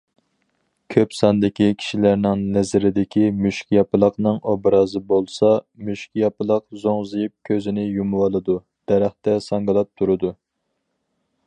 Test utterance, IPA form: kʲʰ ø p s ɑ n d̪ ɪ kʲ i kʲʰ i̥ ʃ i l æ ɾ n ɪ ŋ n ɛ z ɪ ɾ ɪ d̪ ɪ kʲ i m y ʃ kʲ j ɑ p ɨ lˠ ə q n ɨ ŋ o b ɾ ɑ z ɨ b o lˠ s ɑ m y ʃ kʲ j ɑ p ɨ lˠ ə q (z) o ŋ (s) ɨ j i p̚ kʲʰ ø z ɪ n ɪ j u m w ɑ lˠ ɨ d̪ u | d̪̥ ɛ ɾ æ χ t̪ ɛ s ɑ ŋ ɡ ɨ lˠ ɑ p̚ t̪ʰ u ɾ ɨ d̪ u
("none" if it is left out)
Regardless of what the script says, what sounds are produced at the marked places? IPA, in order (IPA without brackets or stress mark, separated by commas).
z, z